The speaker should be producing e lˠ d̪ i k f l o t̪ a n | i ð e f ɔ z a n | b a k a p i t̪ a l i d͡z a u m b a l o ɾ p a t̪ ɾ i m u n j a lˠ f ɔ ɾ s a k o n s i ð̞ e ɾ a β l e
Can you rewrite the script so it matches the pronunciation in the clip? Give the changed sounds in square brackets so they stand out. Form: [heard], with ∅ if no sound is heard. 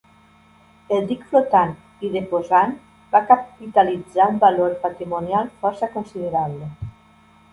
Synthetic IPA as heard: e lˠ d̪ i k f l o t̪ a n | i ð e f [o] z a n | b a k a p i t̪ a l i d͡z a u m b a l o ɾ p a t̪ ɾ i m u n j a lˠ f ɔ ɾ s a k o n s i ð̞ e ɾ a β l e